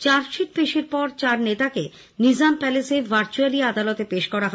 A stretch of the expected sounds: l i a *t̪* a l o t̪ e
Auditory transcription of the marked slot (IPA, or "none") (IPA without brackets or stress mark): d̪